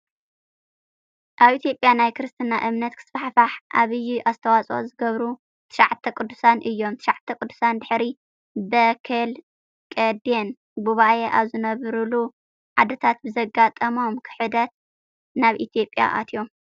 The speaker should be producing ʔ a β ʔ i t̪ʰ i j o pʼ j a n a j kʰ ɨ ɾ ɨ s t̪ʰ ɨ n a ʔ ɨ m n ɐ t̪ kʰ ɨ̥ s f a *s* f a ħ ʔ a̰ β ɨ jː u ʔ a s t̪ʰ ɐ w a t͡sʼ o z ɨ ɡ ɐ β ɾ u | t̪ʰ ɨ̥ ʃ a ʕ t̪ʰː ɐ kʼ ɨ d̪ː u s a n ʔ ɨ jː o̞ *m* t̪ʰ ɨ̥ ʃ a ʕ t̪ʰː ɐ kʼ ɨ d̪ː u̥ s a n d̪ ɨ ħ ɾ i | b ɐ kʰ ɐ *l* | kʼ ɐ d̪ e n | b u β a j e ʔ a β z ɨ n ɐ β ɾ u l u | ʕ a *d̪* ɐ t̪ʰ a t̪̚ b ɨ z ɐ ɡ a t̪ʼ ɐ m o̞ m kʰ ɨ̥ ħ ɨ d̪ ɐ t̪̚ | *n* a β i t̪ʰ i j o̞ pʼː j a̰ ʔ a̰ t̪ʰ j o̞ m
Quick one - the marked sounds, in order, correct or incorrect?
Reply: incorrect, correct, correct, correct, correct

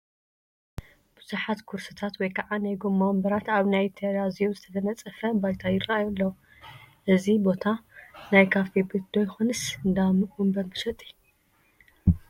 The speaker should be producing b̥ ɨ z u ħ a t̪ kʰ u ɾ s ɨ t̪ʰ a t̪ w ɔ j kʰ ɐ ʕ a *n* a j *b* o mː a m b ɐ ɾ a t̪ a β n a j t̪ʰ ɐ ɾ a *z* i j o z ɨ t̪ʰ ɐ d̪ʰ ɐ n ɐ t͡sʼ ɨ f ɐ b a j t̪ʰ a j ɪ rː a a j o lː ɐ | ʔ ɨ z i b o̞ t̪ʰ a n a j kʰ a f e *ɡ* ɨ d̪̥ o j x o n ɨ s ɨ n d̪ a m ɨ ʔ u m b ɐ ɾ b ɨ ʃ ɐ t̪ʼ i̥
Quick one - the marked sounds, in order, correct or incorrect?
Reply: correct, incorrect, correct, incorrect

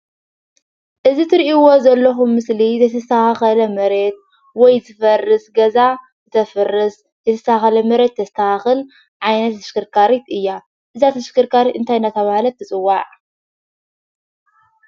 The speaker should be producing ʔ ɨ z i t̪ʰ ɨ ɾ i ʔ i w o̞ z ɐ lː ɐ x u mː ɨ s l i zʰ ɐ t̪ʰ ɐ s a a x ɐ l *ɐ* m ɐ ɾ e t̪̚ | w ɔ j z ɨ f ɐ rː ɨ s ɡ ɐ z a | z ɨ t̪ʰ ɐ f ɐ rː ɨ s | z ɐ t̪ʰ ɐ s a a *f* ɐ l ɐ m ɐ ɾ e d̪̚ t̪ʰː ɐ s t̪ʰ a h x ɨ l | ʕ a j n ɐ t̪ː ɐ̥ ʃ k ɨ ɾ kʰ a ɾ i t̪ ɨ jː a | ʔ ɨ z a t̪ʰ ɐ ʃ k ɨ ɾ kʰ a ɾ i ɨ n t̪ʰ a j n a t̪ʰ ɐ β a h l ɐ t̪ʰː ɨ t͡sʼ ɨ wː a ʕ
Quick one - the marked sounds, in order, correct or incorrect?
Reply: correct, incorrect

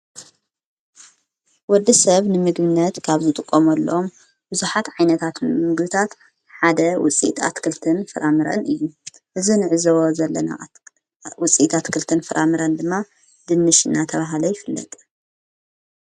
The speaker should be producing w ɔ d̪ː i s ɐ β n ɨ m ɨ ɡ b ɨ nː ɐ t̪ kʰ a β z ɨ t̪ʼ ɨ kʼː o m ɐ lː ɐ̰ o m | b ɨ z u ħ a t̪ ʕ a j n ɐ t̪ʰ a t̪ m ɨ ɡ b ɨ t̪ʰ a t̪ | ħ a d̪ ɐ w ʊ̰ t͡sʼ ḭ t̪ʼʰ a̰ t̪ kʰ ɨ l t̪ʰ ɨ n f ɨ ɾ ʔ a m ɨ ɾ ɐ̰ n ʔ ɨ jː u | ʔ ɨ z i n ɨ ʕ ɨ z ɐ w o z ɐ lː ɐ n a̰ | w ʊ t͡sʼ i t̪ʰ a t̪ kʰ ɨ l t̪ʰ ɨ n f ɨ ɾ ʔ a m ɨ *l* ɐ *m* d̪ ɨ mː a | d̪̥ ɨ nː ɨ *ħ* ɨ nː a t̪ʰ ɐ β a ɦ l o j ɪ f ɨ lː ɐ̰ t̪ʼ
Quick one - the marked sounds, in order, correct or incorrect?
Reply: incorrect, incorrect, incorrect

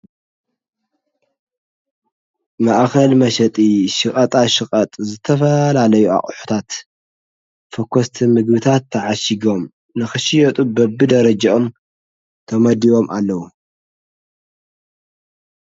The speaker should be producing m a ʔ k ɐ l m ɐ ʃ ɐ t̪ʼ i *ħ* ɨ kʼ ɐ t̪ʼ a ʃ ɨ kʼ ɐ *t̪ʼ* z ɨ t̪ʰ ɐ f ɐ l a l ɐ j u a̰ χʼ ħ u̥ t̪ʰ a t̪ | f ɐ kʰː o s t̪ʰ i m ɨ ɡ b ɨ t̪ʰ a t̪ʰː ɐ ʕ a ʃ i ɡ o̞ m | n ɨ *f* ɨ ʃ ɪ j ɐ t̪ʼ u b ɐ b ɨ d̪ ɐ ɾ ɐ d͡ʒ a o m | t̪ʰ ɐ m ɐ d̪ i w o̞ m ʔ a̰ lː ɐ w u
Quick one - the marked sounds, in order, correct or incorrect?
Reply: incorrect, correct, incorrect

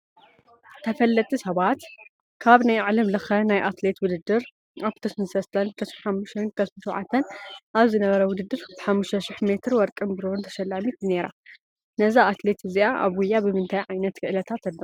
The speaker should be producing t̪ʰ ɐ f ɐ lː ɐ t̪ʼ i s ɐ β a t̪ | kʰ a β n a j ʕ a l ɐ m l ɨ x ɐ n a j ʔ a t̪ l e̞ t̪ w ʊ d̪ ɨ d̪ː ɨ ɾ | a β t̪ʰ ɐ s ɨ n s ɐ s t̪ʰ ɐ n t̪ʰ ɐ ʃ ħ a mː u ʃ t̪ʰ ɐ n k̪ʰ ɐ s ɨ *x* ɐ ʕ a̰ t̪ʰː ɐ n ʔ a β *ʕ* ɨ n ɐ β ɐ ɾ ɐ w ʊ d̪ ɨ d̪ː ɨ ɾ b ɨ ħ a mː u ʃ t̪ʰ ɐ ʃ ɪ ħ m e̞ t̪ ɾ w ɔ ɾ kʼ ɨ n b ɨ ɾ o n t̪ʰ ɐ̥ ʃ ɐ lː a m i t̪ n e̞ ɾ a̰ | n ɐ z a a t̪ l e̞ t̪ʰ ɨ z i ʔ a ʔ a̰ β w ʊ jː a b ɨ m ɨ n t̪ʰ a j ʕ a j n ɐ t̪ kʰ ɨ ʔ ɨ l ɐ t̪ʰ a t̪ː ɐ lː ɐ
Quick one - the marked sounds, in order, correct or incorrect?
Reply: incorrect, incorrect

